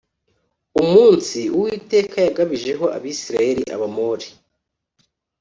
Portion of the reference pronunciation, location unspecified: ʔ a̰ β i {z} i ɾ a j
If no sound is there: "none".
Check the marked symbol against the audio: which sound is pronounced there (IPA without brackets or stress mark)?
s